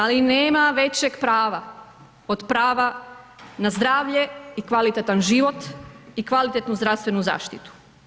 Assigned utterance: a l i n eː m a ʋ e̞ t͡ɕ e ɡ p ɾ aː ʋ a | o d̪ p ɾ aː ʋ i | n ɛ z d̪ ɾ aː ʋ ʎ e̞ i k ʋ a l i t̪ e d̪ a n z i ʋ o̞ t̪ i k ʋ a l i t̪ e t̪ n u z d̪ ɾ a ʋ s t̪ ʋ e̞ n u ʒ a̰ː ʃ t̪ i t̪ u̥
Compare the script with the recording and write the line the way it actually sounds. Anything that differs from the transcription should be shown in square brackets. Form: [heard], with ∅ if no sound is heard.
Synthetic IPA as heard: a l i n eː m a ʋ e̞ t͡ɕ e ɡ p ɾ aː ʋ a | o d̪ p ɾ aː ʋ [a] | n [a] z d̪ ɾ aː ʋ ʎ e̞ i k ʋ a l i t̪ e [t̪] a n [ʒ] i ʋ o̞ t̪ i k ʋ a l i t̪ e t̪ n u z d̪ ɾ a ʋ s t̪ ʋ e̞ n u [z] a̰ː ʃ t̪ i t̪ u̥

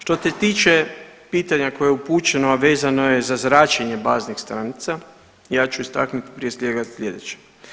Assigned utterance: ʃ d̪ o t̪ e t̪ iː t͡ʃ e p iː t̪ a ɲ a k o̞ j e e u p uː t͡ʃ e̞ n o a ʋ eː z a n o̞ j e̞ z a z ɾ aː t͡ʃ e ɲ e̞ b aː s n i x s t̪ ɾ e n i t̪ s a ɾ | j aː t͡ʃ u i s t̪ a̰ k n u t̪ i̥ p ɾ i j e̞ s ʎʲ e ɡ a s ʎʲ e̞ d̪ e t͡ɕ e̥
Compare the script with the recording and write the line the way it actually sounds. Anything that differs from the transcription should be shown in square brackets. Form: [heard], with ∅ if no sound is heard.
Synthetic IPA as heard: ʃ [t̪] o t̪ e t̪ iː t͡ʃ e p iː t̪ a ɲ a k o̞ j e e u p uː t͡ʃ e̞ n o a ʋ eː z a n o̞ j e̞ z a z ɾ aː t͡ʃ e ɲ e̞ b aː [z] n i x s t̪ ɾ [a] n i t̪ s a [∅] | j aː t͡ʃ u i s t̪ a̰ k n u t̪ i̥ p ɾ i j e̞ s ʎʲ e ɡ a s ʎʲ e̞ d̪ e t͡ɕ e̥

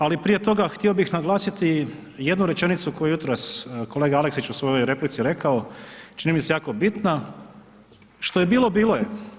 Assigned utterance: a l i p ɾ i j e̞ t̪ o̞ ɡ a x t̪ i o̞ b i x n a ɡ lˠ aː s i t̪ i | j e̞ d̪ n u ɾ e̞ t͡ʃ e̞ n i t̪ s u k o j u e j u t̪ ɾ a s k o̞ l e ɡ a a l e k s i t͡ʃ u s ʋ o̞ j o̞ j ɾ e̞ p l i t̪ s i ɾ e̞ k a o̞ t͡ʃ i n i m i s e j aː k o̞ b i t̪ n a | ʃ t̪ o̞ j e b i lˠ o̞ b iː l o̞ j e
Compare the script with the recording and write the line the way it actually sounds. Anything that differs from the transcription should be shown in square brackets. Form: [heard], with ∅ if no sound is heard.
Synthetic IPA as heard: a l i p ɾ i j e̞ t̪ o̞ ɡ a x t̪ i o̞ b i x n a ɡ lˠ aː s i t̪ i | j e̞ d̪ n u ɾ e̞ t͡ʃ e̞ n i t̪ s u k o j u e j u t̪ ɾ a s k o̞ l e ɡ a a l e k s i t͡ʃ u s ʋ o̞ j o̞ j ɾ e̞ p l i t̪ s i ɾ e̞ k a o̞ t͡ʃ i n i m i s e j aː k o̞ b i t̪ n a | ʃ t̪ o̞ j e b [iː] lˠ o̞ b iː l o̞ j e

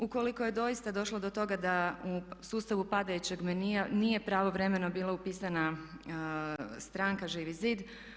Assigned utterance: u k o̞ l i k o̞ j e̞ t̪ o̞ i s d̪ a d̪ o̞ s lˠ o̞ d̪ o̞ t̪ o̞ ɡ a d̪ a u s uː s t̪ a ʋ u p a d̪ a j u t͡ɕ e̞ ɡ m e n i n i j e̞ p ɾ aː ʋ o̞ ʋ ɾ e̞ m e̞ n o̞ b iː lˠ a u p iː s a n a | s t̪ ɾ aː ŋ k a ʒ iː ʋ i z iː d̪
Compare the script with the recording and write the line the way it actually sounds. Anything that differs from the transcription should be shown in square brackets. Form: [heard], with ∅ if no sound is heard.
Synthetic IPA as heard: u k o̞ l i k o̞ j e̞ [d̪] o̞ i s [t̪] a d̪ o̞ [ʃ] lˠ o̞ d̪ o̞ t̪ o̞ ɡ a d̪ a u s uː s t̪ a ʋ u p a d̪ a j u t͡ɕ e̞ ɡ m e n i n i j e̞ p ɾ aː ʋ o̞ ʋ ɾ e̞ m e̞ n o̞ b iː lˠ a u p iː s a n a | s t̪ ɾ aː ŋ k a ʒ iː ʋ i z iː d̪

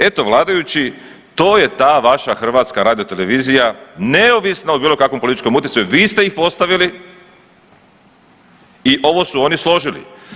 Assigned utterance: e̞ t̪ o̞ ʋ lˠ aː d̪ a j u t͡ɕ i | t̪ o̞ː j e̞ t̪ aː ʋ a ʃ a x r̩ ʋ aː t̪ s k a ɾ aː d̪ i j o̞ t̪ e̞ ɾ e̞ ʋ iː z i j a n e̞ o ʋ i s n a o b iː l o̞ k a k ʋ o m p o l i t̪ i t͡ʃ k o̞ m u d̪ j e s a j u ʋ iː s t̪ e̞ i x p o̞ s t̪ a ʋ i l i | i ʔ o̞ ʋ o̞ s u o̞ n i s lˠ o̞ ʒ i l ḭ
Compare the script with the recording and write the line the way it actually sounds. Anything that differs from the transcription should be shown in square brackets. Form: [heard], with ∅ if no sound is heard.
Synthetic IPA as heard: e̞ t̪ o̞ ʋ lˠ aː d̪ a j u t͡ɕ i | t̪ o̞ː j e̞ t̪ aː ʋ a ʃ a x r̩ ʋ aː t̪ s k a ɾ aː d̪ i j o̞ t̪ e̞ [l] e̞ ʋ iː z i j a n e̞ o ʋ i s n a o b iː l o̞ k a k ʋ o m p o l i t̪ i t͡ʃ k o̞ m u [t̪] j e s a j u ʋ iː s t̪ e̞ i x p o̞ s t̪ a ʋ i l i | i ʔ o̞ ʋ o̞ s u o̞ n i s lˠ o̞ ʒ i l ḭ

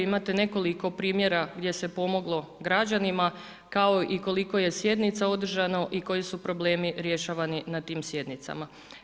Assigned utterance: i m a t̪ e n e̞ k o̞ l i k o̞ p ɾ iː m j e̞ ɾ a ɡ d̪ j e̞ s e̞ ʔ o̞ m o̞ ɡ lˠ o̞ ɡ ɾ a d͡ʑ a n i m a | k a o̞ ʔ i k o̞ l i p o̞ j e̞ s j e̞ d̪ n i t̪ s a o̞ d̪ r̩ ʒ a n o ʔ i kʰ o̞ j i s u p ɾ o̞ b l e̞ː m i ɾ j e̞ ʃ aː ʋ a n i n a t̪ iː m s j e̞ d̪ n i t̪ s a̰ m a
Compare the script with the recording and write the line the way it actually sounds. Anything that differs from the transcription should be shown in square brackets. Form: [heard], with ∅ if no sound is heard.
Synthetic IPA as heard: i m a t̪ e n e̞ k o̞ l i k o̞ p ɾ iː m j e̞ ɾ a ɡ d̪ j e̞ s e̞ [p] o̞ m o̞ ɡ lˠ o̞ ɡ ɾ a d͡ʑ a n i m a | k a o̞ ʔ i k o̞ l i [k] o̞ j e̞ s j e̞ d̪ n i t̪ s a o̞ d̪ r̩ ʒ a n o ʔ i [k] o̞ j i s u p ɾ o̞ b l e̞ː m i ɾ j e̞ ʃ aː ʋ a n i n a t̪ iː m s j e̞ d̪ n i t̪ s a̰ m a

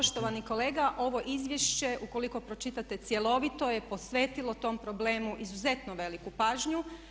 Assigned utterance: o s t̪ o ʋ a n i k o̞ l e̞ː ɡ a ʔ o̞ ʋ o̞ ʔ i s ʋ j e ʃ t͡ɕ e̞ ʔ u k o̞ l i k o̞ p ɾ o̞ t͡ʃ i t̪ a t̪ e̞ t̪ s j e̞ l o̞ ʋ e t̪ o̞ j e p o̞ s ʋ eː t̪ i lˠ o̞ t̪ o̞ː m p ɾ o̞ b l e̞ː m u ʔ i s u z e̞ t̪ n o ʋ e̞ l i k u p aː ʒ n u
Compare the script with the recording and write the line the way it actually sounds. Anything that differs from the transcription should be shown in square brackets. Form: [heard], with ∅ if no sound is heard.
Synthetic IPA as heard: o [ʃ] t̪ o ʋ a n i k o̞ l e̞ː ɡ a ʔ o̞ ʋ o̞ ʔ i [z] ʋ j e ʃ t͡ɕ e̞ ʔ u k o̞ l i k o̞ p ɾ o̞ t͡ʃ i t̪ a t̪ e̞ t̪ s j e̞ l o̞ ʋ [i] t̪ o̞ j e p o̞ s ʋ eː t̪ i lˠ o̞ t̪ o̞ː m p ɾ o̞ b l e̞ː m u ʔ i [z] u z e̞ t̪ n o ʋ e̞ l i k u p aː ʒ [ɲ] u

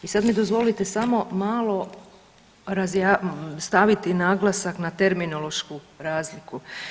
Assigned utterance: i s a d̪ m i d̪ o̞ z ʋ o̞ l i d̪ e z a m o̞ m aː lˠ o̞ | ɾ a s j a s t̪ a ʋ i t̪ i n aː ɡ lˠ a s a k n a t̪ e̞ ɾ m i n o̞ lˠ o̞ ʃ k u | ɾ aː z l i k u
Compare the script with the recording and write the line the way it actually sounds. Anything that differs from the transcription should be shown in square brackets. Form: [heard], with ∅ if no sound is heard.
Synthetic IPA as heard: i s a d̪ m i d̪ o̞ z ʋ o̞ l i [t̪] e [s] a m o̞ m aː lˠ o̞ | ɾ a [z] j a s t̪ a ʋ i t̪ i n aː ɡ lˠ a s a k n a t̪ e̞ ɾ m i n o̞ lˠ o̞ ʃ k u | ɾ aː z l i k u

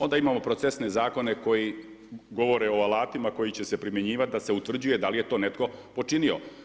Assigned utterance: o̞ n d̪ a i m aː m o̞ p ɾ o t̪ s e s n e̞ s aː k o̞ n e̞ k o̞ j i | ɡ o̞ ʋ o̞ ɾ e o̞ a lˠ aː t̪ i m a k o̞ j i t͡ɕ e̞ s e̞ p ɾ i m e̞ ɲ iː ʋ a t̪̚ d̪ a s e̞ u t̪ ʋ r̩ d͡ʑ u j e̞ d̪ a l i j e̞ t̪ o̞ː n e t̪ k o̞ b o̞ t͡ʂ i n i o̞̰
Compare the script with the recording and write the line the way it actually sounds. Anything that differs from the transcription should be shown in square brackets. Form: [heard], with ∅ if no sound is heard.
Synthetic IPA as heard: o̞ n d̪ a i m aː m o̞ p ɾ o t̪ s e s n e̞ [z] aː k o̞ n e̞ k o̞ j i | ɡ o̞ ʋ o̞ ɾ e o̞ a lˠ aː t̪ i m a k o̞ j i t͡ɕ e̞ s e̞ p ɾ i m e̞ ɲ iː ʋ a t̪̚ d̪ a s e̞ u t̪ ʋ r̩ d͡ʑ u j e̞ d̪ a l i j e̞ t̪ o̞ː n e t̪ k o̞ [p] o̞ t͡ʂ i n i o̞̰

